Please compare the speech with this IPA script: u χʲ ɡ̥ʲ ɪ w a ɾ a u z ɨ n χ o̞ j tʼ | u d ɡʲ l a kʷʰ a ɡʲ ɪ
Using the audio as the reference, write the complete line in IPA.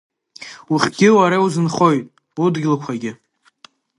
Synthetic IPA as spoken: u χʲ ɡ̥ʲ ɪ w a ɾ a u z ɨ n χ o̞ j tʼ | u d ɡʲ l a kʷʰ a ɡʲ ɪ